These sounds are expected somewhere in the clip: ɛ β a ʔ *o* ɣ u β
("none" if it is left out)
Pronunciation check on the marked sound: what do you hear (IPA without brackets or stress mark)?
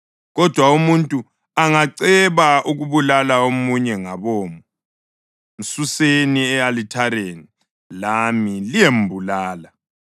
u